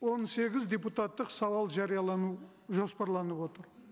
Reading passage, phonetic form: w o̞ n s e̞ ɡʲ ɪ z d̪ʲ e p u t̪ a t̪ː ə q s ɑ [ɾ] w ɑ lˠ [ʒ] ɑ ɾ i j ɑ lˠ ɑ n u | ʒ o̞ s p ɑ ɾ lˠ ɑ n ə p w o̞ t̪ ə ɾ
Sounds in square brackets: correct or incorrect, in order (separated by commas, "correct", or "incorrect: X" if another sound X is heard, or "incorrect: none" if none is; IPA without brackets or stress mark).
incorrect: none, correct